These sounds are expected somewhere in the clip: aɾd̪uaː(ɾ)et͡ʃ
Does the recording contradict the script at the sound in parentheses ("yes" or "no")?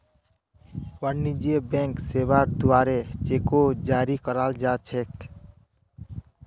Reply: no